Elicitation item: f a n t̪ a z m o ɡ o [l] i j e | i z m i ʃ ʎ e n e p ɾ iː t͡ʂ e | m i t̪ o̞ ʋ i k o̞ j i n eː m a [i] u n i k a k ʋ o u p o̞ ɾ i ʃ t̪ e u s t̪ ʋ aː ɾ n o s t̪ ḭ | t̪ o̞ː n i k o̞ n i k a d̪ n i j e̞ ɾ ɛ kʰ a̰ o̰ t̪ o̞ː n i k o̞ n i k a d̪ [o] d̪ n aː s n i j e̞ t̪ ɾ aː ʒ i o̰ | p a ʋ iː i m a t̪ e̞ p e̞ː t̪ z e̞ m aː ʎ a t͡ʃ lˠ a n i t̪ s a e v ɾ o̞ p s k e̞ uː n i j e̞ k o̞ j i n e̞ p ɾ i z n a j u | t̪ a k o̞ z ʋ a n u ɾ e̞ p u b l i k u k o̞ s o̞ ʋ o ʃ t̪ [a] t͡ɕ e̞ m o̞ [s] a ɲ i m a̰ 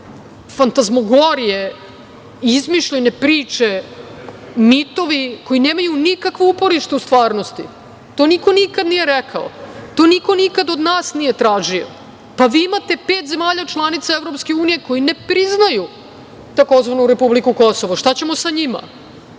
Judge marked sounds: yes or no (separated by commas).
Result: no, no, yes, yes, yes